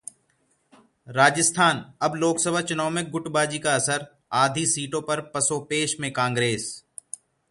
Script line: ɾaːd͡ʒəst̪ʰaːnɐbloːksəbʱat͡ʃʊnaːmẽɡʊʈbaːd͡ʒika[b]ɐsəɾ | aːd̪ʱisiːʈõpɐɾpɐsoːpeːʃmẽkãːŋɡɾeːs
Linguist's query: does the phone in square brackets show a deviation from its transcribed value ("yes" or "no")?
yes